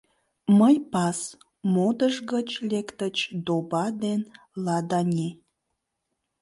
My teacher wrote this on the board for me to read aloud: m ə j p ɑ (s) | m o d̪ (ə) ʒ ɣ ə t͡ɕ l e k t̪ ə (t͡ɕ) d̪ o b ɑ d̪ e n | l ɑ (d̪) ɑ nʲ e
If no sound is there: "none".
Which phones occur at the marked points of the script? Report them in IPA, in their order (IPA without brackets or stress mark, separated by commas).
s, ə, t͡ɕ, d̪